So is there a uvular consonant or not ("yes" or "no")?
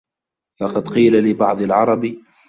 yes